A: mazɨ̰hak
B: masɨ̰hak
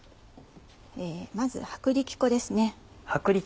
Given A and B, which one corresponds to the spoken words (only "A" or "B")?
A